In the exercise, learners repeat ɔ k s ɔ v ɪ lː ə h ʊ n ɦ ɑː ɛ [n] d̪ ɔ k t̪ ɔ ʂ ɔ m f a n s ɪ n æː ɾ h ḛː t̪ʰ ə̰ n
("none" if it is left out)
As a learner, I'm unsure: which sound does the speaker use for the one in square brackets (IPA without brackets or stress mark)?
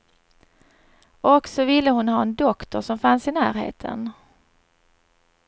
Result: n